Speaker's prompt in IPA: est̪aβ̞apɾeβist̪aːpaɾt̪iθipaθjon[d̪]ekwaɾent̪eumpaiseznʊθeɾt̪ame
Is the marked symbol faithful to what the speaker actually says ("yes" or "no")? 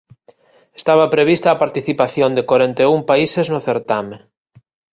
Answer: yes